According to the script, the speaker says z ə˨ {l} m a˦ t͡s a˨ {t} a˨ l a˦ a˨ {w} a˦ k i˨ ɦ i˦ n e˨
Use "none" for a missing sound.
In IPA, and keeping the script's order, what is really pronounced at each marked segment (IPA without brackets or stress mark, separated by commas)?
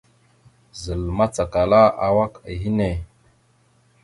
l, k, w